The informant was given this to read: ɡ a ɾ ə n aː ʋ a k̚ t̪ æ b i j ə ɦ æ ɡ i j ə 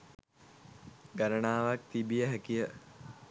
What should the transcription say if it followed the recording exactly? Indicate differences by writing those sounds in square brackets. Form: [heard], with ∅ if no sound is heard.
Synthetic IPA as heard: ɡ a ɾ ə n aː ʋ a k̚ t̪ [i] b i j ə ɦ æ [k] i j ə

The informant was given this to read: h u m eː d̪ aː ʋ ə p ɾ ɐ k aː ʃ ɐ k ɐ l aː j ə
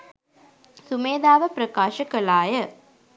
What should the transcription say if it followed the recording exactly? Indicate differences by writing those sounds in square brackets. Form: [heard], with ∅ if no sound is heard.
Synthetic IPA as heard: [s] u m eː d̪ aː ʋ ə p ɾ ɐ k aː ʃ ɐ k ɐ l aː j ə

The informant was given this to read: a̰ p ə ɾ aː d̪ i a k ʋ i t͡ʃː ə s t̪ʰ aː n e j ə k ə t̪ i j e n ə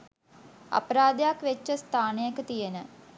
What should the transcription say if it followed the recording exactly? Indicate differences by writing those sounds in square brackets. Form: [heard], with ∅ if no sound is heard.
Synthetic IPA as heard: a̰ p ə ɾ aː d̪ [j] a k ʋ [e] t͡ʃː ə s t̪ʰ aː n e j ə k ə t̪ i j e n ə

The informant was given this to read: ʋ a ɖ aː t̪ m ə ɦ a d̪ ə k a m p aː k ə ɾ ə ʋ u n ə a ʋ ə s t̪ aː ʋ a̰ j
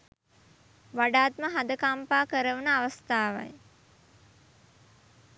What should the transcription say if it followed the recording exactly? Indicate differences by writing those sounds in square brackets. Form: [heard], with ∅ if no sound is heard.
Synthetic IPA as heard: ʋ a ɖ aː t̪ m ə ɦ a d̪ ə k a m p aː k ə ɾ ə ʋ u n ə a ʋ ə s t̪ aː ʋ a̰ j

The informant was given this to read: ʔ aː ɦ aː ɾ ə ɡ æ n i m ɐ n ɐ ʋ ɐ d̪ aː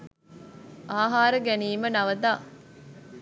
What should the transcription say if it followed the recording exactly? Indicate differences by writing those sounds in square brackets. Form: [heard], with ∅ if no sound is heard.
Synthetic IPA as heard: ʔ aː ɦ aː ɾ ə ɡ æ n [iː] m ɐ n ɐ ʋ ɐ d̪ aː

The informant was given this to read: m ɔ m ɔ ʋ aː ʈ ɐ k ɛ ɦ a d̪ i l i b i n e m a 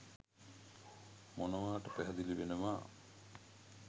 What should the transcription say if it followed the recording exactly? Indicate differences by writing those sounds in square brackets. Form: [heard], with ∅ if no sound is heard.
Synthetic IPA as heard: m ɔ [n] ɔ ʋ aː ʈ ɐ [p] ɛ ɦ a d̪ i l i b [e] n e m a

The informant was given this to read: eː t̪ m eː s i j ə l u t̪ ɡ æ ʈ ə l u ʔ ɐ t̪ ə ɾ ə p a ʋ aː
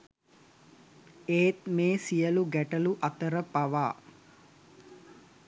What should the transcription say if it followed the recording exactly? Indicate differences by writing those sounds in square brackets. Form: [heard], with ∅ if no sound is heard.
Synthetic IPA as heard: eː t̪ m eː s i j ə l u [∅] ɡ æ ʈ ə l u ʔ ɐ t̪ ə ɾ ə p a ʋ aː

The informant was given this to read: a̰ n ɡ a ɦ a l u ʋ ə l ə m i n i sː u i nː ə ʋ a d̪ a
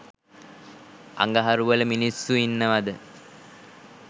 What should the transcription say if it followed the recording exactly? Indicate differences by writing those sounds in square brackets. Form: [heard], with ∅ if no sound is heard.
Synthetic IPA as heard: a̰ [ŋ] ɡ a ɦ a [ɾ] u ʋ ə l ə m i n i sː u i nː ə ʋ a d̪ [ə]

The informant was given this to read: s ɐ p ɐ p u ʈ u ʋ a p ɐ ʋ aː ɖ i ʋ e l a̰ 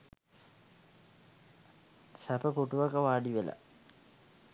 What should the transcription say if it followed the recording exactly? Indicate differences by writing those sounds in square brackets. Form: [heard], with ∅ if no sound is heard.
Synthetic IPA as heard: s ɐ p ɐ p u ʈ u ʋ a [k] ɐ ʋ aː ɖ i ʋ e l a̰

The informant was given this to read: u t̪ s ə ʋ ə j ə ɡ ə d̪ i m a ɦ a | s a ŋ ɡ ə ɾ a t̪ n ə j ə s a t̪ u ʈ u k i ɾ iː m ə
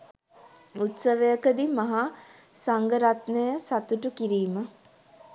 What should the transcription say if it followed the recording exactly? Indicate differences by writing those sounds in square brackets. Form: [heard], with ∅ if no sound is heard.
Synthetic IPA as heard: u t̪ s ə ʋ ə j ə [k] ə d̪ i m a ɦ a | s a ŋ ɡ ə ɾ a t̪ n ə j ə s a t̪ u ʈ u k i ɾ iː m ə

